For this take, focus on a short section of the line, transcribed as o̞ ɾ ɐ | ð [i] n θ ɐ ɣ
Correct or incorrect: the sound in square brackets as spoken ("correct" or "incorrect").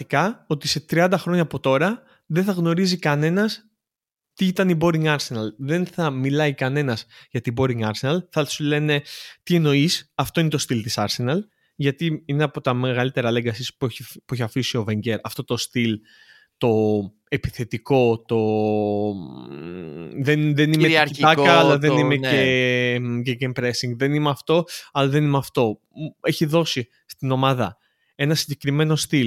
incorrect